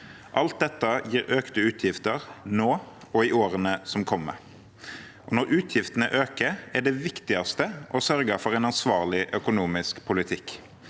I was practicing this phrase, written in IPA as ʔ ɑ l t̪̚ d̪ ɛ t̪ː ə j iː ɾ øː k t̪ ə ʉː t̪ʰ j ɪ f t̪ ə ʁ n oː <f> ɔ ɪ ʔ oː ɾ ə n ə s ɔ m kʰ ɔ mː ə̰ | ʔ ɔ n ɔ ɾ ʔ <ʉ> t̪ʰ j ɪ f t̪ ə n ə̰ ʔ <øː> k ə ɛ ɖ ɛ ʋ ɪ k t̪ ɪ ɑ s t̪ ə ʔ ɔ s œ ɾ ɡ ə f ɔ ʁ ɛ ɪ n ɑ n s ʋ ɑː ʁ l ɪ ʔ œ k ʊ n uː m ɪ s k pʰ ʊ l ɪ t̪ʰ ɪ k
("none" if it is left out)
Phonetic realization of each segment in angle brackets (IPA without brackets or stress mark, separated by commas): none, ʉː, øː